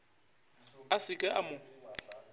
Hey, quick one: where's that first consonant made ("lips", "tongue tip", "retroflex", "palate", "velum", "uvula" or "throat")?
tongue tip